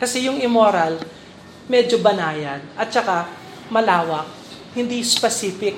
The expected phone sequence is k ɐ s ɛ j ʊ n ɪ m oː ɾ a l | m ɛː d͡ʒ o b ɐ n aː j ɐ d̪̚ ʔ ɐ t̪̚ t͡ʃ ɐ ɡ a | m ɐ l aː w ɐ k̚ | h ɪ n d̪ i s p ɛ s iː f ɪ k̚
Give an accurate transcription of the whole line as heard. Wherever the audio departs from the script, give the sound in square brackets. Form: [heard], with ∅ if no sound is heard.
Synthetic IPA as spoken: k ɐ s ɛ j ʊ [ŋ] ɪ m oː ɾ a l | m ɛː d͡ʒ o b ɐ n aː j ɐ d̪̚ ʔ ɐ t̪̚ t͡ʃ ɐ [k] a | m ɐ l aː w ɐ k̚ | h ɪ n d̪ i s p ɛ s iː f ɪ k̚